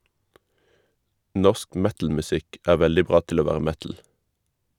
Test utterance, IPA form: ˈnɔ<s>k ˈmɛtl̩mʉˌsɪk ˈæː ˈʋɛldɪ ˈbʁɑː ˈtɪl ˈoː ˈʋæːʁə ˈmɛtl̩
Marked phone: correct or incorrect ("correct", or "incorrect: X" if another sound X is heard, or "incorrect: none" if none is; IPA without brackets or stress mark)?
correct